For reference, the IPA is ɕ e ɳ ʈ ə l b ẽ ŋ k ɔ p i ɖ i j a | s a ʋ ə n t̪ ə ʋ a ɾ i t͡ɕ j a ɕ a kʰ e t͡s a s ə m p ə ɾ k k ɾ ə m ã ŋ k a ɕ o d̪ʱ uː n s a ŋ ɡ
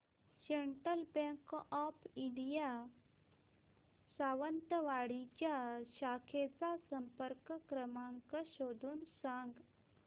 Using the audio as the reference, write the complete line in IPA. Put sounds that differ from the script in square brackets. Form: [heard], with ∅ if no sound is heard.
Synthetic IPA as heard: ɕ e ɳ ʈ ə l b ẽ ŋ k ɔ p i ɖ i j a | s a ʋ ə n t̪ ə ʋ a [ɽ] i t͡ɕ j a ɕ a kʰ e t͡s a s ə m p ə ɾ k k ɾ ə m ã ŋ k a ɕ o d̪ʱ uː n s a ŋ ɡ